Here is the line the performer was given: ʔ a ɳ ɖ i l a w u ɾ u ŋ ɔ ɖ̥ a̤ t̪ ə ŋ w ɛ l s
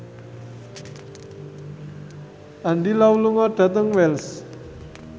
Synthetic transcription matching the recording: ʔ a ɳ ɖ i l a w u l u ŋ ɔ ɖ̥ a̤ t̪ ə ŋ w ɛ l s